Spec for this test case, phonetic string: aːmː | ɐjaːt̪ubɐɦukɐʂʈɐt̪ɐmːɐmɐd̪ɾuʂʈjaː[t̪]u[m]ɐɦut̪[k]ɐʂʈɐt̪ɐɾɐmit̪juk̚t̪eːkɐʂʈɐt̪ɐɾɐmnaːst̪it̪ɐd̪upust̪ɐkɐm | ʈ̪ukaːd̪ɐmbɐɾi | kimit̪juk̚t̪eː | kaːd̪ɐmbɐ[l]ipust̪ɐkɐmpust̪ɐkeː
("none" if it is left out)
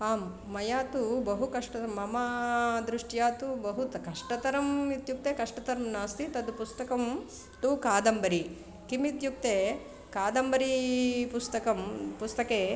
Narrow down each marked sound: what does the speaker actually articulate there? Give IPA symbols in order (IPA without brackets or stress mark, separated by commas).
t̪, b, k, ɾ